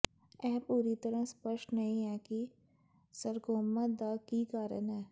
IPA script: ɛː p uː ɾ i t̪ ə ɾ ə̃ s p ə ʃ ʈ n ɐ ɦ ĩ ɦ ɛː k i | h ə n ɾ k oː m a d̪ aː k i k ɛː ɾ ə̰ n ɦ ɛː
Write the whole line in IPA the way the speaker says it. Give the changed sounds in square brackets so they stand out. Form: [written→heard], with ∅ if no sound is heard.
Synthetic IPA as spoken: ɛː p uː ɾ i t̪ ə ɾ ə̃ s p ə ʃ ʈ n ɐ ɦ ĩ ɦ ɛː k i | [h→s] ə [n→∅] ɾ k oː m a d̪ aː k i k [ɛː→aː] ɾ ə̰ n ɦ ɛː